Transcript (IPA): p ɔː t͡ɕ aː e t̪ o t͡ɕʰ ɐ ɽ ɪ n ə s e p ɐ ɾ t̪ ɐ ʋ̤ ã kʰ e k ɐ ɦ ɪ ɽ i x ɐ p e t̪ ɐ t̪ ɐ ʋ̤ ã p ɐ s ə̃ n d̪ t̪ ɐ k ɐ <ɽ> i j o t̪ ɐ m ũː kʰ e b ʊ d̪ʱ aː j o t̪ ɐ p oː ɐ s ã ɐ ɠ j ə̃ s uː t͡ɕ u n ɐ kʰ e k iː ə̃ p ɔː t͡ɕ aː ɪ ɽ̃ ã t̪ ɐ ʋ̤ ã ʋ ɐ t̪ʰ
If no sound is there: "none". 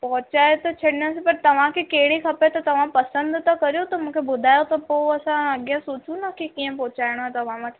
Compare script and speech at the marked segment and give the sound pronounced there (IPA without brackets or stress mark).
ɾ